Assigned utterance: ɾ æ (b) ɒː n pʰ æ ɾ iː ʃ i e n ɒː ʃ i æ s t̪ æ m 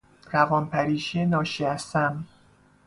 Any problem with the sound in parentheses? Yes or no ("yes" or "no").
yes